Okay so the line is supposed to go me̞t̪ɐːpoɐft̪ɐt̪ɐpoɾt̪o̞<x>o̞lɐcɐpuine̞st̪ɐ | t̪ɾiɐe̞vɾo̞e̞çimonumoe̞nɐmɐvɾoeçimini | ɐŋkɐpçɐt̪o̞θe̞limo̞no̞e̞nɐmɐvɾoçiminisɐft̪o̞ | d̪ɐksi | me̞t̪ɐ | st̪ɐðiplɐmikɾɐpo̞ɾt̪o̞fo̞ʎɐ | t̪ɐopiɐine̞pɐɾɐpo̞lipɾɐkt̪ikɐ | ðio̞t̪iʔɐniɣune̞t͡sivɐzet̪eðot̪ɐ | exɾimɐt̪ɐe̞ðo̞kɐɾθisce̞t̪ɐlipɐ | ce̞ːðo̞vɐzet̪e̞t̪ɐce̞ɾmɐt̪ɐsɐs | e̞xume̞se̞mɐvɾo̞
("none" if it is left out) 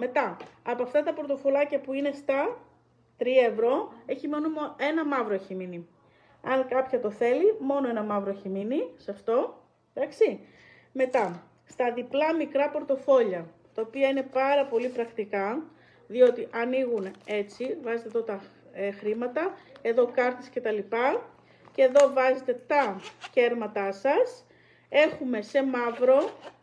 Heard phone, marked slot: f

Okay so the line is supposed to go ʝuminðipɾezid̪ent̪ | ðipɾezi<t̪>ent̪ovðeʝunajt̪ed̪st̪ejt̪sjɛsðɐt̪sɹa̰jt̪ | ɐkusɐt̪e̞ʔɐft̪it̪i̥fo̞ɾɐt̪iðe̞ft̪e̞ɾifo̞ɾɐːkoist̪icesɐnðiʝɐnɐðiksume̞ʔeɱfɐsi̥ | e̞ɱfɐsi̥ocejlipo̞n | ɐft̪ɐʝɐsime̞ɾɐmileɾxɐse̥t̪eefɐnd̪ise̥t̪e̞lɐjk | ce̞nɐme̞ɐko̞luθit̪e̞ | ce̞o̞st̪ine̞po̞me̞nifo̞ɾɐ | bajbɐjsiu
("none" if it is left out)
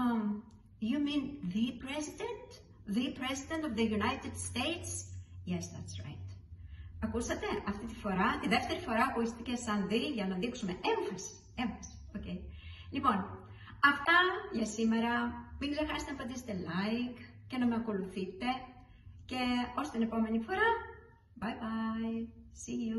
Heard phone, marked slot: d̪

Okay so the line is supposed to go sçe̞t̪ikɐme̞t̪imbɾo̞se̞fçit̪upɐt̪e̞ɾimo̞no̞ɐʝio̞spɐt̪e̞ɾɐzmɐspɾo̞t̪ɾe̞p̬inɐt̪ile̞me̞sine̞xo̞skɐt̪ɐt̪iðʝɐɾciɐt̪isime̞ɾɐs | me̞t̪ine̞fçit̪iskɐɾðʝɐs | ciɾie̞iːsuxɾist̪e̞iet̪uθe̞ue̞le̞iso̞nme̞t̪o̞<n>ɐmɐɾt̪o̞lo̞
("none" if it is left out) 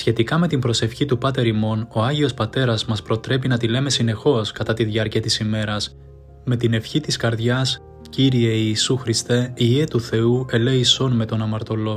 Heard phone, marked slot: n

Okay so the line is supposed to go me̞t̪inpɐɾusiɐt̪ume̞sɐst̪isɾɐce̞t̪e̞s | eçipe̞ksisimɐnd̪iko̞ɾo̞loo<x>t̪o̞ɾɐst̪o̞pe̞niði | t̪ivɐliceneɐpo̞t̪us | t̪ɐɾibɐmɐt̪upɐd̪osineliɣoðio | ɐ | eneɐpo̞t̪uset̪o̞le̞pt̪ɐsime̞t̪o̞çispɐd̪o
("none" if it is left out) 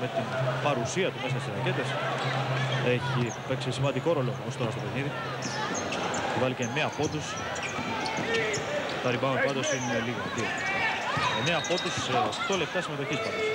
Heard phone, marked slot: s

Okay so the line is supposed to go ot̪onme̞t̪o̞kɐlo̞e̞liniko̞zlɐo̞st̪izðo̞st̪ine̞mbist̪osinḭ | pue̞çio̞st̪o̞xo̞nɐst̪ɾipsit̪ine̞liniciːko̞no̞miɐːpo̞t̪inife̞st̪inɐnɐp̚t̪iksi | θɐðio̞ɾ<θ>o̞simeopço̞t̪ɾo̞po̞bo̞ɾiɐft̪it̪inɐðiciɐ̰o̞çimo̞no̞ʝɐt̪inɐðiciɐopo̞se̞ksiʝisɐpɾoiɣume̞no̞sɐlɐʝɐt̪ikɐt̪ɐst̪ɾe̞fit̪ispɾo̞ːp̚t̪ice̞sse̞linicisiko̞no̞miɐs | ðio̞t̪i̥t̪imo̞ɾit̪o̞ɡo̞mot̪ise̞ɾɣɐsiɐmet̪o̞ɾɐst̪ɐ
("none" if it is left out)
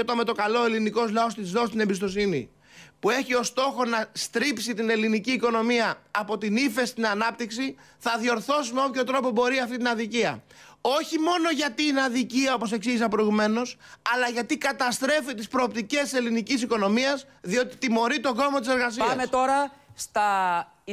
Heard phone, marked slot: θ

